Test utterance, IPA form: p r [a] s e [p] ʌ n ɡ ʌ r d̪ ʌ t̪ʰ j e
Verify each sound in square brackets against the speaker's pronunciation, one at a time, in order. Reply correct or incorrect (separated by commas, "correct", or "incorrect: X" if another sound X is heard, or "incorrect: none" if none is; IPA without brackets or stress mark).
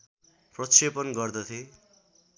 incorrect: ʌ, correct